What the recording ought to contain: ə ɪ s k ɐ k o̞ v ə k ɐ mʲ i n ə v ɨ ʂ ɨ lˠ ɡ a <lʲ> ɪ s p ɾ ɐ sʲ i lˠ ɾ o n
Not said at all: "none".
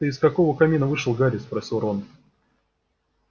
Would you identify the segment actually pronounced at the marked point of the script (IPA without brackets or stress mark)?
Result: ɾʲ